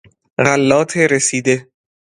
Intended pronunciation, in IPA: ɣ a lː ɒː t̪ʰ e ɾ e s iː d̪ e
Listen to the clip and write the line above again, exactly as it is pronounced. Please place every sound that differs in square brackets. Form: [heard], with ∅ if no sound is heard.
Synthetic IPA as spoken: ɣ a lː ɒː t̪ʰ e ɾ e s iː d̪ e